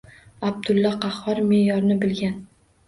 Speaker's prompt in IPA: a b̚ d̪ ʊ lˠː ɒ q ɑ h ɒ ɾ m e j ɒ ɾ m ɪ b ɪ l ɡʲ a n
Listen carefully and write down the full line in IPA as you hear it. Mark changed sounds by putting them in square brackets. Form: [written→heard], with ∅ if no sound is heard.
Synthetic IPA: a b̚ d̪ ʊ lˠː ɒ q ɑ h ɒ ɾ m e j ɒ ɾ [m→n] ɪ b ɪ l ɡʲ a n